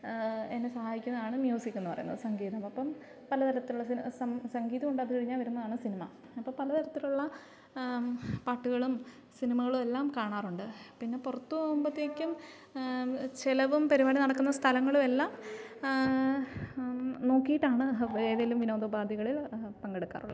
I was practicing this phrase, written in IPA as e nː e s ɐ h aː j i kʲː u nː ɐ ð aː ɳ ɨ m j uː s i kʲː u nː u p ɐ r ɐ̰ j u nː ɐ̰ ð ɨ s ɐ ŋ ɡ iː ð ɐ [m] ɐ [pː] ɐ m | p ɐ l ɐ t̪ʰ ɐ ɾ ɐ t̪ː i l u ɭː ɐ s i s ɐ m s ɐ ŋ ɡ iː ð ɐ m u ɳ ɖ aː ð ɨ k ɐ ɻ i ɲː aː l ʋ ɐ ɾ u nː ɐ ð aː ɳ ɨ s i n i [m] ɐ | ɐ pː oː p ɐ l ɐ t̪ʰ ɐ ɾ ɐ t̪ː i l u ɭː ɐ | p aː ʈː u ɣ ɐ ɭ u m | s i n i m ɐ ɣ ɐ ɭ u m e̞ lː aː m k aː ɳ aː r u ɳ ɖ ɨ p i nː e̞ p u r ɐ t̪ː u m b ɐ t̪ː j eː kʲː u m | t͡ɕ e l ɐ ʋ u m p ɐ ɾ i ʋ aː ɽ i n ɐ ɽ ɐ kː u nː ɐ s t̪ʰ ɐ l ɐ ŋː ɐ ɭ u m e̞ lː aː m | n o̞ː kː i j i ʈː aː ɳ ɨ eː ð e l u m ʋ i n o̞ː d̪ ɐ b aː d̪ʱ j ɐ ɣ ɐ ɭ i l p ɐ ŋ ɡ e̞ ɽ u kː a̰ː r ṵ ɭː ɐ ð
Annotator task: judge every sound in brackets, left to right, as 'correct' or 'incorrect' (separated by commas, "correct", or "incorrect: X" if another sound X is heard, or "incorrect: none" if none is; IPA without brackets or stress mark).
correct, correct, correct